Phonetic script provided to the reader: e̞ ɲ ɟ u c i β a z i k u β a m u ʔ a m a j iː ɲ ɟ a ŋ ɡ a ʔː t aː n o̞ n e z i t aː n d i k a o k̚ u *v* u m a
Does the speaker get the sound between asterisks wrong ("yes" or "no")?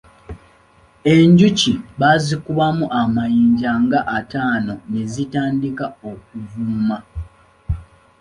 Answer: no